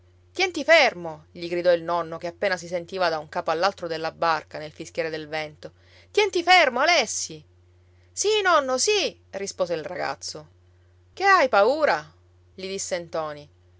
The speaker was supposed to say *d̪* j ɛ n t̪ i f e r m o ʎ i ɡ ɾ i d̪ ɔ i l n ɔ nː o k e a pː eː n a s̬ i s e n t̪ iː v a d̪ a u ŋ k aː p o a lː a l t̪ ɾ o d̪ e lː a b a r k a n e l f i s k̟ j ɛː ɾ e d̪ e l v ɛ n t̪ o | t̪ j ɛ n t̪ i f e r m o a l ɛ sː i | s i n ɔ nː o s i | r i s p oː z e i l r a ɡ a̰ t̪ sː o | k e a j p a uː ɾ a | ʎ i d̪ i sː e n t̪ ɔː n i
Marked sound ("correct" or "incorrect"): incorrect